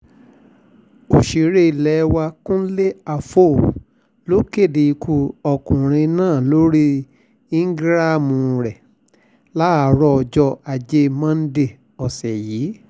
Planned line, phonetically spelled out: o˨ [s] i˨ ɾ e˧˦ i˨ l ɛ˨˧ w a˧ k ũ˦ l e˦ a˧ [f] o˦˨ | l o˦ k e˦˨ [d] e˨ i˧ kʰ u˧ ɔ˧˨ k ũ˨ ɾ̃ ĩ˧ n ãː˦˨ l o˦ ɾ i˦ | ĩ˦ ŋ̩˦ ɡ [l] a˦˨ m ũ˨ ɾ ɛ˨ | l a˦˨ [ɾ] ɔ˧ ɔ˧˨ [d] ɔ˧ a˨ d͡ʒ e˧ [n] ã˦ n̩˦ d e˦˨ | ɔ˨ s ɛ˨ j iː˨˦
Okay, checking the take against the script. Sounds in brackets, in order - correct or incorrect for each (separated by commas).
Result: incorrect, correct, correct, incorrect, correct, incorrect, incorrect